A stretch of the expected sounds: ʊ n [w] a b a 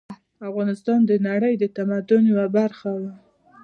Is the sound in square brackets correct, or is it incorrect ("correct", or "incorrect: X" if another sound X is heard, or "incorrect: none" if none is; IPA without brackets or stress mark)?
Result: correct